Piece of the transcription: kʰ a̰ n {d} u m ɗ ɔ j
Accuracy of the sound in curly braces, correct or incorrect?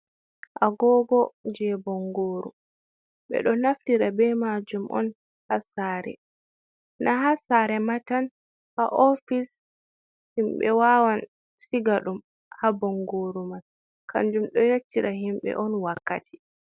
incorrect